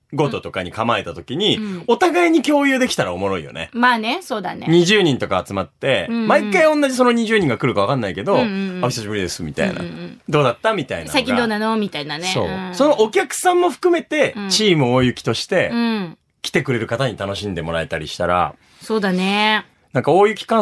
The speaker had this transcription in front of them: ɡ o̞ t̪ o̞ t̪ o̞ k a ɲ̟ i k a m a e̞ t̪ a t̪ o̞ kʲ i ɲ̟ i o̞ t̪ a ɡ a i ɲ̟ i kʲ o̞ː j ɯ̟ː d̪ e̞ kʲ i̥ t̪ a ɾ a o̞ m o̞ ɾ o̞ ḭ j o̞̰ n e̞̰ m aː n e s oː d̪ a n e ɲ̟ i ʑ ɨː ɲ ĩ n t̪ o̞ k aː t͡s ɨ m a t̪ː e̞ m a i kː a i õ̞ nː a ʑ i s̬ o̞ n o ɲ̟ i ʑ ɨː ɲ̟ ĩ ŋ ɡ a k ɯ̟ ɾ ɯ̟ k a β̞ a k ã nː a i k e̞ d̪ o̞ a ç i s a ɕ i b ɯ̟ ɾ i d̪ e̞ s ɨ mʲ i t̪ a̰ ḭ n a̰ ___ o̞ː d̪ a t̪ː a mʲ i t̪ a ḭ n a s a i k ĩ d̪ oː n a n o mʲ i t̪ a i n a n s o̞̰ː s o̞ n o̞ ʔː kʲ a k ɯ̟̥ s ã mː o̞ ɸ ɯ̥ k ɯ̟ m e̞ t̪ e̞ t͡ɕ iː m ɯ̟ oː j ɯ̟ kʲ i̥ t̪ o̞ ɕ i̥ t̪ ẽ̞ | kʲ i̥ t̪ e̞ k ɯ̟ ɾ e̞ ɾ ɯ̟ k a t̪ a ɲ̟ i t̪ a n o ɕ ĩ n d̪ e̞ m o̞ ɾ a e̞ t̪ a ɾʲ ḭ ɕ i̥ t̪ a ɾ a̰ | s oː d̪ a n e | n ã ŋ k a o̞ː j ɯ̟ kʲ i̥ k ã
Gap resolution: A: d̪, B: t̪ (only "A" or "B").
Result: A